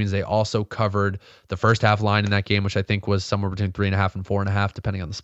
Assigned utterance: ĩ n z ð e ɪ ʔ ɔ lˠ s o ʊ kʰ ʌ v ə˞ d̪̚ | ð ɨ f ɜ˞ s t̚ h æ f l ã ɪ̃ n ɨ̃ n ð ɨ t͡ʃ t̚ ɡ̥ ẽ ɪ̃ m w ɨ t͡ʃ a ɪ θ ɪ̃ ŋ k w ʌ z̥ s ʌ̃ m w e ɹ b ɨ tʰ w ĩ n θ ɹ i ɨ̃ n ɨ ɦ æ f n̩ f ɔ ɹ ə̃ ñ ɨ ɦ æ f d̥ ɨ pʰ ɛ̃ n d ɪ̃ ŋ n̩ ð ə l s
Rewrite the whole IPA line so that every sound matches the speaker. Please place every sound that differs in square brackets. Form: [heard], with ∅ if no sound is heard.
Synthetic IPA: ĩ n z ð e ɪ ʔ ɔ lˠ s o ʊ kʰ ʌ v ə˞ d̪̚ | ð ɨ f ɜ˞ s t̚ h æ f l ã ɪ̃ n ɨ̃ n ð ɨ [∅] t̚ ɡ̥ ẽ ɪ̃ m w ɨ t͡ʃ a ɪ θ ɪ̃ ŋ k w ʌ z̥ s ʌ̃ m w [ɛ] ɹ b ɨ tʰ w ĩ n θ ɹ i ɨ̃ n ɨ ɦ æ f n̩ f ɔ ɹ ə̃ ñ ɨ ɦ æ f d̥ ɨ pʰ ɛ̃ n d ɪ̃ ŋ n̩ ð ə [∅] s